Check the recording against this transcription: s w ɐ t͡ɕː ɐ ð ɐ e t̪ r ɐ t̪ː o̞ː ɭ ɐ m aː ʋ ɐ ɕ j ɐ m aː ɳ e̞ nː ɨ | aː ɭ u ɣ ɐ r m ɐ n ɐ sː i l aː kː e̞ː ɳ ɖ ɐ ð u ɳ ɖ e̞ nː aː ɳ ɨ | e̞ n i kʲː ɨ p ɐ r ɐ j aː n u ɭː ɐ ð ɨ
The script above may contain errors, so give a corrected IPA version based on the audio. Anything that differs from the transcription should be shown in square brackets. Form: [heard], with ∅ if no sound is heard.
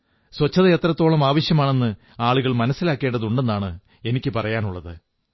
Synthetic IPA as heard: s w ɐ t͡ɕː ɐ ð ɐ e t̪ r ɐ t̪ː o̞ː ɭ ɐ m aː ʋ ɐ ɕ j ɐ m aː ɳ e̞ nː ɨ | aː ɭ u ɣ ɐ [ɭ] m ɐ n ɐ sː i l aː kː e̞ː ɳ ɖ ɐ ð u ɳ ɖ e̞ nː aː ɳ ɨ | e̞ n i kʲː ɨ p ɐ r ɐ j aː n u ɭː ɐ ð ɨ